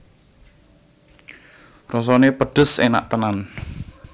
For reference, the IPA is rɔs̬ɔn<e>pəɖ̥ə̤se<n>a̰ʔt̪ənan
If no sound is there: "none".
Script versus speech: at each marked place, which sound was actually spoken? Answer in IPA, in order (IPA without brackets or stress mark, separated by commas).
e, n